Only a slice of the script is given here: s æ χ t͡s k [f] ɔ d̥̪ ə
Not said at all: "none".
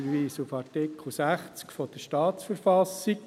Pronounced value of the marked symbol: f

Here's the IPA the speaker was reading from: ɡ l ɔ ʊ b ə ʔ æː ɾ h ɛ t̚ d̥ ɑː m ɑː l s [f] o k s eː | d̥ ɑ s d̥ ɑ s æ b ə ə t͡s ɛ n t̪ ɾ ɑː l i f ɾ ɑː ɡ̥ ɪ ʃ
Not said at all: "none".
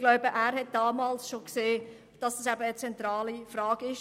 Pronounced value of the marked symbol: ʃ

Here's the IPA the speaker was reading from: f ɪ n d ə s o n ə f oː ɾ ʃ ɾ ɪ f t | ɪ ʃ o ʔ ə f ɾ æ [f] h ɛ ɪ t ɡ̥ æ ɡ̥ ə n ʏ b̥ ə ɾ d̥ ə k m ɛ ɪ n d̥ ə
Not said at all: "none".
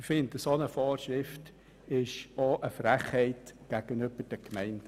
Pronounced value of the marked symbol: χ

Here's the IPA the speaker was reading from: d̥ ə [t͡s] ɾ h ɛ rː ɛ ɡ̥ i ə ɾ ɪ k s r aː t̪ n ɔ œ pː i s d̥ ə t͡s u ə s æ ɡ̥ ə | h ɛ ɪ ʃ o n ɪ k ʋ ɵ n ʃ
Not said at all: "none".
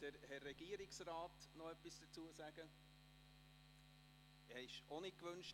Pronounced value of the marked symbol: none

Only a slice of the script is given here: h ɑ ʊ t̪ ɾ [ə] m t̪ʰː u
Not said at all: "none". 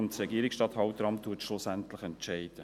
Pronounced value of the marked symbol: ɑ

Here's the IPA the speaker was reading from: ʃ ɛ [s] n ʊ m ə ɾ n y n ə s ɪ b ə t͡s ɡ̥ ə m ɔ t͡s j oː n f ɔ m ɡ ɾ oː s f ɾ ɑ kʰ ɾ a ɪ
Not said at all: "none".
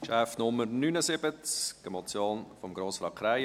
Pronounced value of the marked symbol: f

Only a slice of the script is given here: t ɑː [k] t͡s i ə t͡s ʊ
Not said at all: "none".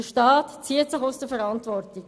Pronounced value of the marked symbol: t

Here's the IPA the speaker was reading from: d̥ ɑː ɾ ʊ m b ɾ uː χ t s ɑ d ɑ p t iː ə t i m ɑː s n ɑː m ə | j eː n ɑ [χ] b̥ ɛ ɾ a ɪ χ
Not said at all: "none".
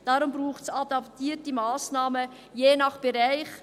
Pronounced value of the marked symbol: χ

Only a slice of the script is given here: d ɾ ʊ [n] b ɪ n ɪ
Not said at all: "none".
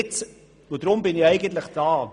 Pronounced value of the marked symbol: m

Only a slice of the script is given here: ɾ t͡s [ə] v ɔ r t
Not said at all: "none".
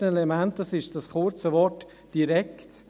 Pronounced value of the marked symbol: ə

